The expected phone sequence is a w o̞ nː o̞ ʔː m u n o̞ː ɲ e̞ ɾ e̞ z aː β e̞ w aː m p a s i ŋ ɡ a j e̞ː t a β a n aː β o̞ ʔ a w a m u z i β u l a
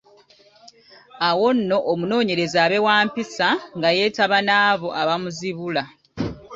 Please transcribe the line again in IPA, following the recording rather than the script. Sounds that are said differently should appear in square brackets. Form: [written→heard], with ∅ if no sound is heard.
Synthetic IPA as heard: a w o̞ nː o̞ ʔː m u n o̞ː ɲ e̞ ɾ e̞ z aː β e̞ w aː m p [a→i] s [i→a] ŋ ɡ a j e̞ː t a β a n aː β o̞ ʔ a [w→β] a m u z i β u l a